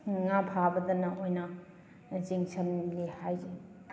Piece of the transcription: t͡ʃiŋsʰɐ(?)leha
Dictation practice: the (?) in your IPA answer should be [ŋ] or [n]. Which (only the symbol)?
n